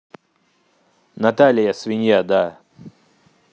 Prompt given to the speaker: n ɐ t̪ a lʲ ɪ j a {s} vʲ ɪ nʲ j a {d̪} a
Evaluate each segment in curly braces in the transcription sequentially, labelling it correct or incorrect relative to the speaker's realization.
correct, correct

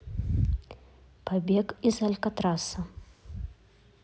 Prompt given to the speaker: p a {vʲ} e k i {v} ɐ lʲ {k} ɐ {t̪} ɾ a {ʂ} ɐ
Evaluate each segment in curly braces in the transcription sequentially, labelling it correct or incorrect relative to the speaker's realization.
incorrect: bʲ, incorrect: z, correct, correct, incorrect: s

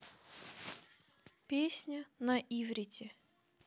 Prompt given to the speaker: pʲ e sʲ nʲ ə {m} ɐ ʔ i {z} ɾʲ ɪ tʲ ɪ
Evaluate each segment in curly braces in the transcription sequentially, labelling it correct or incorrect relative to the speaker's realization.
incorrect: n, incorrect: v

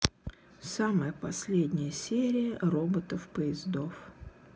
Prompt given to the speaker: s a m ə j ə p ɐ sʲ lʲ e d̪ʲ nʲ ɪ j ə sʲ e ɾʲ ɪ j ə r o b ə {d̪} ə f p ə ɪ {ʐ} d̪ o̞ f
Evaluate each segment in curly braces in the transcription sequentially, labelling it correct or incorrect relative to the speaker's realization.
incorrect: t̪, incorrect: z

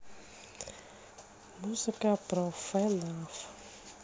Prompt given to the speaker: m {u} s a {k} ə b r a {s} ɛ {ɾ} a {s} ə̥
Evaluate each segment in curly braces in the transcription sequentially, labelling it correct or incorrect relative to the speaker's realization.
correct, correct, incorrect: f, incorrect: l, incorrect: f

